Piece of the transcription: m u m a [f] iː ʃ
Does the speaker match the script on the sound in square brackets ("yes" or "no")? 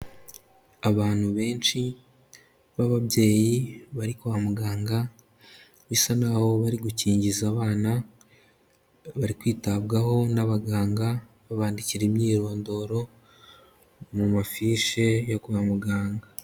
yes